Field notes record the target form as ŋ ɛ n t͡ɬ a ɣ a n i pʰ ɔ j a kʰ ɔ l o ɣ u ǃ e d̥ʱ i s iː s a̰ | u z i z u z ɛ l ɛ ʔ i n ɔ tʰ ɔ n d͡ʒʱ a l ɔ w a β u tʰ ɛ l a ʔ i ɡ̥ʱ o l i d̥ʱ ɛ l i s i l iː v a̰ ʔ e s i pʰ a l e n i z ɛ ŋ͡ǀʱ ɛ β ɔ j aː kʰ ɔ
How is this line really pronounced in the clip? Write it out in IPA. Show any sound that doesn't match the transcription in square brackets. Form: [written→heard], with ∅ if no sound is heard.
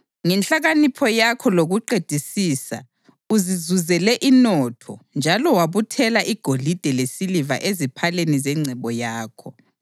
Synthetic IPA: ŋ ɛ n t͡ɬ a ɣ a n i pʰ ɔ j a kʰ ɔ l o ɣ u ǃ e d̥ʱ i s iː s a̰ | u z i z u z ɛ l ɛ ʔ i n ɔ tʰ ɔ n d͡ʒʱ a l ɔ w a β u tʰ ɛ l a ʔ i ɡ̥ʱ o l i d̥ʱ ɛ l [i→e] s i l [iː→i] v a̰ ʔ e [s→z] i pʰ a l e n i z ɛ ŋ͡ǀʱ ɛ β ɔ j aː kʰ ɔ